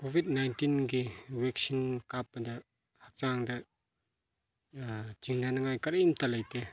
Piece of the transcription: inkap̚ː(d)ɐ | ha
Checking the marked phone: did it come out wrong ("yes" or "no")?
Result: no